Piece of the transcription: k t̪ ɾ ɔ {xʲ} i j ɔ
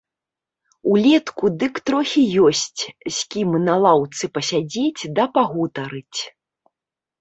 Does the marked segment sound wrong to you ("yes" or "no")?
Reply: no